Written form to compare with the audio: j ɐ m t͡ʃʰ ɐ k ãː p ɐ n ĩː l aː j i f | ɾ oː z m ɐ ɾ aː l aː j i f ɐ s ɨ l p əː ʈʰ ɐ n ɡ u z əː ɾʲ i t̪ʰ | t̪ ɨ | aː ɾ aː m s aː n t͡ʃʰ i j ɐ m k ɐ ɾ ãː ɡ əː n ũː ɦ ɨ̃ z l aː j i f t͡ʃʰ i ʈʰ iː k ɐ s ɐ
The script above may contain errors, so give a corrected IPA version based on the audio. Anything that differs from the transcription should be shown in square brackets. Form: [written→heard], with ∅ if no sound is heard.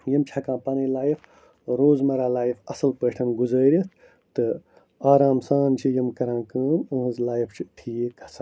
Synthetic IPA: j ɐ m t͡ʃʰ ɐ k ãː p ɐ n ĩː l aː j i f | ɾ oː z m ɐ ɾ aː l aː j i f ɐ s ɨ l p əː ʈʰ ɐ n ɡ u z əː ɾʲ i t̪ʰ | t̪ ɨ | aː ɾ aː m s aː n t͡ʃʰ i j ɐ m k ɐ ɾ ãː [ɡ→k] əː n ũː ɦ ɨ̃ z l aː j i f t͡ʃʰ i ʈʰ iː k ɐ s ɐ